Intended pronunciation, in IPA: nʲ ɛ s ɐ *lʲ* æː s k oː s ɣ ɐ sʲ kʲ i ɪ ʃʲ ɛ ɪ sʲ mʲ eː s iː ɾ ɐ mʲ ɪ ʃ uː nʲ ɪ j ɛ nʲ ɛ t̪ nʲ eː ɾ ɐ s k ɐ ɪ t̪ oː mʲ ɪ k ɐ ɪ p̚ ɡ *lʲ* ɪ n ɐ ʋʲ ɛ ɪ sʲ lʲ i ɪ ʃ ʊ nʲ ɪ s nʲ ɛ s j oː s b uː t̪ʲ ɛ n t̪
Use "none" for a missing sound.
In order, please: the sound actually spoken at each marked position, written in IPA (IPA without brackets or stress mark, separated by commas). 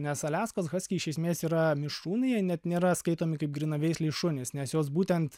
lʲ, ɾʲ